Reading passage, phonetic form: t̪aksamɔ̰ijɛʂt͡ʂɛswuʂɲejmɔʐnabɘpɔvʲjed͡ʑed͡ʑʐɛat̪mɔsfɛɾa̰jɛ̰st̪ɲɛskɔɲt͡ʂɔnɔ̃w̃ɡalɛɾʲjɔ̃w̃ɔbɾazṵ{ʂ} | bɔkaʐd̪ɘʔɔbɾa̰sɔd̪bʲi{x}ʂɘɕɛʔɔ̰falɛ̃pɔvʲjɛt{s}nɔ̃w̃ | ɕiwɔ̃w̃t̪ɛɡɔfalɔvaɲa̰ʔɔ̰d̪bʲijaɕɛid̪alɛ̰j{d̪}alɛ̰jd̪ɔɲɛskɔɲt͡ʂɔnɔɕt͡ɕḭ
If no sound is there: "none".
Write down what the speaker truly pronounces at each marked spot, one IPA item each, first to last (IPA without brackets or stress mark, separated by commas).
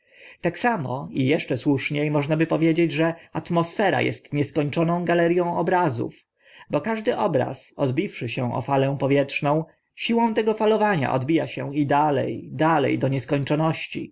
f, f, ʂ, d̪